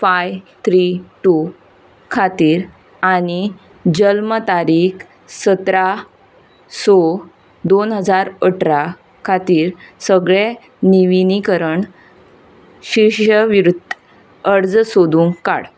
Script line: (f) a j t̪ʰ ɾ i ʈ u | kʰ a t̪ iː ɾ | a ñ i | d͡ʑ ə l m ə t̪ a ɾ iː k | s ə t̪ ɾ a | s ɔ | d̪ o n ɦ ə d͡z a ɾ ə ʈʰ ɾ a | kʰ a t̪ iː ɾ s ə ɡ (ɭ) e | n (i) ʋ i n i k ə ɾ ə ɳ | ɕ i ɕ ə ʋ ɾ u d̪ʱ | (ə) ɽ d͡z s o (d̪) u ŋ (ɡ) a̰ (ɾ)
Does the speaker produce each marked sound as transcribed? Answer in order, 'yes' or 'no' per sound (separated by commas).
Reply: yes, yes, yes, yes, yes, no, no